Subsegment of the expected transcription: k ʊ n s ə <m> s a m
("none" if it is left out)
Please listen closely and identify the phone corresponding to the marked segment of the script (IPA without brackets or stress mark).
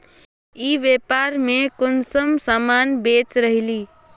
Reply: m